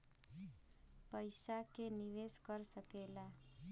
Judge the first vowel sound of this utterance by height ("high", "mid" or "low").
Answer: mid